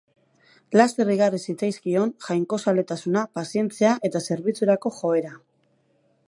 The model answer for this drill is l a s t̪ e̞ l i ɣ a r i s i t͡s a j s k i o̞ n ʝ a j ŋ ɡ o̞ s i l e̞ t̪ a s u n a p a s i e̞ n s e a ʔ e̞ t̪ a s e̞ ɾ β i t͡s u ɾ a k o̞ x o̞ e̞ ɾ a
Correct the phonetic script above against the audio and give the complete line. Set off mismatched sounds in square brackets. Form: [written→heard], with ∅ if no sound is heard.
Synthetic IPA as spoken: l a s t̪ e̞ [l→r] i ɣ a r i s i t͡s a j s k i o̞ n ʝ a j ŋ [ɡ→k] o̞ s [i→a] l e̞ t̪ a s u n a p a s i e̞ n [s→t͡s] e a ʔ e̞ t̪ a s e̞ ɾ β i t͡s u ɾ a k o̞ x o̞ e̞ ɾ a